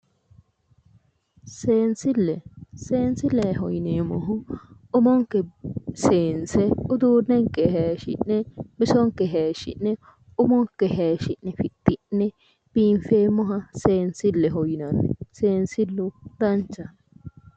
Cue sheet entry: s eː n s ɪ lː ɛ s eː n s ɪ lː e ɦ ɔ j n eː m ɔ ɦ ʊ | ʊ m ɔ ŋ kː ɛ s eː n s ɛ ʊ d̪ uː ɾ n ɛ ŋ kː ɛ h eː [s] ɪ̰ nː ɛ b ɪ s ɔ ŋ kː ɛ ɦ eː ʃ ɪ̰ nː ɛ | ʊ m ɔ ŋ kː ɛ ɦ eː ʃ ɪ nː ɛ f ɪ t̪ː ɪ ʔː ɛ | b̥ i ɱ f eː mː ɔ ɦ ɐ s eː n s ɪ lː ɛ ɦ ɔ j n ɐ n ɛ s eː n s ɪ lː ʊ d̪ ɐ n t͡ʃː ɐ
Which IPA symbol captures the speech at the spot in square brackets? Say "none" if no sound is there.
ʃ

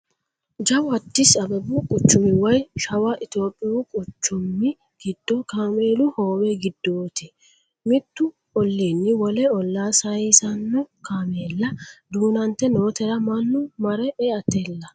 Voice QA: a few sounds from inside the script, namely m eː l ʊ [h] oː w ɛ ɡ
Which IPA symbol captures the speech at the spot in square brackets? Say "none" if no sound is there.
h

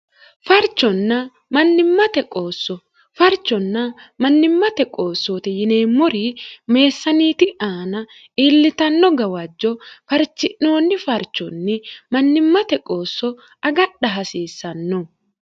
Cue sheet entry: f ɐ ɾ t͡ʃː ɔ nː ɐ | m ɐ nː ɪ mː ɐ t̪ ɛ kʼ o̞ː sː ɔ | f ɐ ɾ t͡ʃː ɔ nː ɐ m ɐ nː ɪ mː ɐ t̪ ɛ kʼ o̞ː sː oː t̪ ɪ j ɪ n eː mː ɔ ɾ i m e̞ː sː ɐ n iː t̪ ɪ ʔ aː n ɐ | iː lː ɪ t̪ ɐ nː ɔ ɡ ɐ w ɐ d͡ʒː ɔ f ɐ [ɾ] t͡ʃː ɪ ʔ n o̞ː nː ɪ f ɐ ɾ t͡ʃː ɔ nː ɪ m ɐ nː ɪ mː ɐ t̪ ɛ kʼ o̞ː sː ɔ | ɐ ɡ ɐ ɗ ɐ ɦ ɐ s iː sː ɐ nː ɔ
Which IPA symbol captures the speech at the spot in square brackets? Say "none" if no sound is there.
ɾ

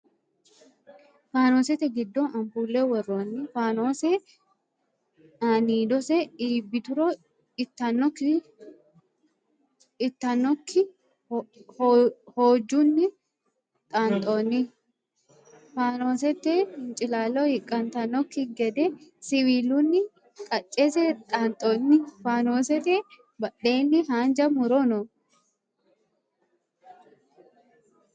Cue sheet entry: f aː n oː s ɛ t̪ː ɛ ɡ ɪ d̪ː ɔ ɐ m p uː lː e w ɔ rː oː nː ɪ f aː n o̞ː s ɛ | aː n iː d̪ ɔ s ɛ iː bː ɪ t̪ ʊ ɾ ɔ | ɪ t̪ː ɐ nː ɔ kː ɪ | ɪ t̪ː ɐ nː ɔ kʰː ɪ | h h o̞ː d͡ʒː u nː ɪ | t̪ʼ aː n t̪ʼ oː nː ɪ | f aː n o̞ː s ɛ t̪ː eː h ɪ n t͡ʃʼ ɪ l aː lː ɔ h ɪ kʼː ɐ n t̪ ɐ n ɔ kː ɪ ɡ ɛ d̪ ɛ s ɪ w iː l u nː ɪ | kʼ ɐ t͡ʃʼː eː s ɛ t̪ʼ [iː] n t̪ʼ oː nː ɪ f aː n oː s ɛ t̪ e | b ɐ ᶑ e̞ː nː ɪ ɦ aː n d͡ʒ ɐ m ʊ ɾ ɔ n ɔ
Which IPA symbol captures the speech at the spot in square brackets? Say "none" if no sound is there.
aː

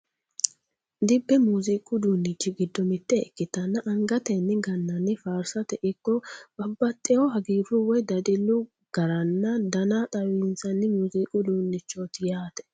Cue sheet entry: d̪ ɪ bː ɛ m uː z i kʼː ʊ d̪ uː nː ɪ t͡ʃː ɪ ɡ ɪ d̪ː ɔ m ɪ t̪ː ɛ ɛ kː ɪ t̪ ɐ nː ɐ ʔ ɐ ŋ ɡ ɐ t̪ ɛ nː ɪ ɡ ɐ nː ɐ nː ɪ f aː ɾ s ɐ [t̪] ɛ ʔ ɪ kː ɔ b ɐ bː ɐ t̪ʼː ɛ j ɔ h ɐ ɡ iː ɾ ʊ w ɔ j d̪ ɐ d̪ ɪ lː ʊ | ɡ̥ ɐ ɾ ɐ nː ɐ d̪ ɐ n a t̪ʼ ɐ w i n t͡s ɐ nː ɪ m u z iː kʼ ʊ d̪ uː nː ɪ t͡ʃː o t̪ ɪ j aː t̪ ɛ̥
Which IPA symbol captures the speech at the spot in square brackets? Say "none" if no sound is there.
t̪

